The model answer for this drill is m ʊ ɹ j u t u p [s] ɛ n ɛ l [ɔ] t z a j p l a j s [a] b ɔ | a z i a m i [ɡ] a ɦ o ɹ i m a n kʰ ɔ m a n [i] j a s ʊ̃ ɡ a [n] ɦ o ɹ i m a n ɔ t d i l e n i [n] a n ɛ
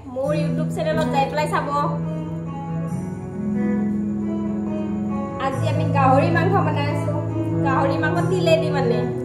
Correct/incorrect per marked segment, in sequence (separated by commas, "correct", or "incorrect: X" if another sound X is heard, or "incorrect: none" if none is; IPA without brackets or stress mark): correct, correct, correct, correct, incorrect: a, incorrect: none, incorrect: m